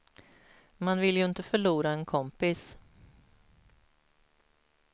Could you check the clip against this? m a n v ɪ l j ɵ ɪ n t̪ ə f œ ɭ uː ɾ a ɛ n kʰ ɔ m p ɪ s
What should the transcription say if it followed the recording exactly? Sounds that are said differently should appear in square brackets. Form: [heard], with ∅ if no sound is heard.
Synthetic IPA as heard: m a n v ɪ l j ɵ ɪ n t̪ ə f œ ɭ uː ɾ a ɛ n kʰ ɔ m p ɪ s